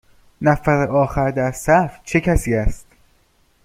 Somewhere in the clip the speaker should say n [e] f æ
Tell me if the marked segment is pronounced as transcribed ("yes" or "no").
no